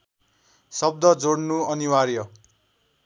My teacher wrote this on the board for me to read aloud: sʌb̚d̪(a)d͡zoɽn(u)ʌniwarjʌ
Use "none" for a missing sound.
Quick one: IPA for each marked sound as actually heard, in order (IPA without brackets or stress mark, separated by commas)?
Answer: ʌ, u